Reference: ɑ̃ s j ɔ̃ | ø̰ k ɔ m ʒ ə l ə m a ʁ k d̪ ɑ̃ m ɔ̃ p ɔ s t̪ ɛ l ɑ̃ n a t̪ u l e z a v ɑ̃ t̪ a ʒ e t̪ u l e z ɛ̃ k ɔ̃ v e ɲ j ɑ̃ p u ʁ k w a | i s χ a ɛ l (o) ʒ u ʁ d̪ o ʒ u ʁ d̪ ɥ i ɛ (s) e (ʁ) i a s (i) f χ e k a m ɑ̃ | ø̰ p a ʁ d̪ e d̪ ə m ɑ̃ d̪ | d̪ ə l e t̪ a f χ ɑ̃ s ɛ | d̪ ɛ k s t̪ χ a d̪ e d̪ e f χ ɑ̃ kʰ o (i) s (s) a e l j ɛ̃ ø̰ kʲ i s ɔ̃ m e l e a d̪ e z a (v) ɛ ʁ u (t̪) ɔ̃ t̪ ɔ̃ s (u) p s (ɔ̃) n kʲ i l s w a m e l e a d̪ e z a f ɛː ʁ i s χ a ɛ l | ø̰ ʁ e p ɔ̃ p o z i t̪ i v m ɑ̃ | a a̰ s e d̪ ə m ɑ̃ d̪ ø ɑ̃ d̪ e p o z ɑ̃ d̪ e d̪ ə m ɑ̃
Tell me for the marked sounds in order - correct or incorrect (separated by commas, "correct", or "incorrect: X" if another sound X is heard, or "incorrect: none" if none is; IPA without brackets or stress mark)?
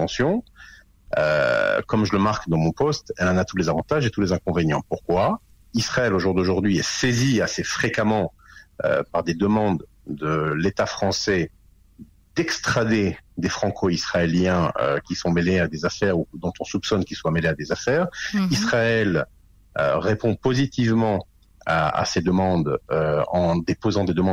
correct, correct, incorrect: z, incorrect: e, correct, incorrect: χ, incorrect: f, incorrect: d̪, correct, incorrect: ɔ